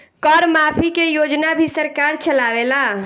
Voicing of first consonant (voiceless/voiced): voiceless